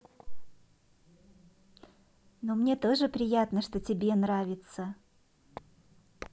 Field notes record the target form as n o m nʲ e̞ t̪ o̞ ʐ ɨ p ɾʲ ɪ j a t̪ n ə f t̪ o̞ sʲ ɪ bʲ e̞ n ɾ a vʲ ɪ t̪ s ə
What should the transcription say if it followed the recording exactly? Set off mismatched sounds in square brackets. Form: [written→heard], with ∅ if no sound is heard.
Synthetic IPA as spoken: n o m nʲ e̞ t̪ o̞ ʐ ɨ p ɾʲ ɪ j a t̪ n ə [f→ʂ] t̪ o̞ [sʲ→tʲ] ɪ bʲ e̞ n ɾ a vʲ ɪ t̪ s ə